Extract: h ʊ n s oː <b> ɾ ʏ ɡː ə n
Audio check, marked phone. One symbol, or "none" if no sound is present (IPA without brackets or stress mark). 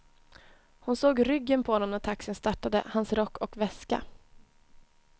ɡ